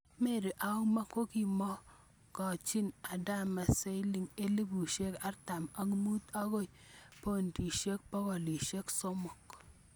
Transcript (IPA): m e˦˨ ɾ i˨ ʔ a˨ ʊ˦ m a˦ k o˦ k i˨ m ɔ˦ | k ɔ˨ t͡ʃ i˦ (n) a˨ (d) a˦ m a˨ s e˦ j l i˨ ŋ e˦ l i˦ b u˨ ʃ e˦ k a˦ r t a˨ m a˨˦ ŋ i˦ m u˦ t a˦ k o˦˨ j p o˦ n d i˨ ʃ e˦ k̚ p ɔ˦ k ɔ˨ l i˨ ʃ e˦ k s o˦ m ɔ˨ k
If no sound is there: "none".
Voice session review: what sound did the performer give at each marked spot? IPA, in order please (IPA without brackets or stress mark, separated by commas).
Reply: n, d